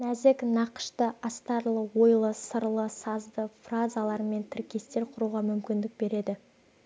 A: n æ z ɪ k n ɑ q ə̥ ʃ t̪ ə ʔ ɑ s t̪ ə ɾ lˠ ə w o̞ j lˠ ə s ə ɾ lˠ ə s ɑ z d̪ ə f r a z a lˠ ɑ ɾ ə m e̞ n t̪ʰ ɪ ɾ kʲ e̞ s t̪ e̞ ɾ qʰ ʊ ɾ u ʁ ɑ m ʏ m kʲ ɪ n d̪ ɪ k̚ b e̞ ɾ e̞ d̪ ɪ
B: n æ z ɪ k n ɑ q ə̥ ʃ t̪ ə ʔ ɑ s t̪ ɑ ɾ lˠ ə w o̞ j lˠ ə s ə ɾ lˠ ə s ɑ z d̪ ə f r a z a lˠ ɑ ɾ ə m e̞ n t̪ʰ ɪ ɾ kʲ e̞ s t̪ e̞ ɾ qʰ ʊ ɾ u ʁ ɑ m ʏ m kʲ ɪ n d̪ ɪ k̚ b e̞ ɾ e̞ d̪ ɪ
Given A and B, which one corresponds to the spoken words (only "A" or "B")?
B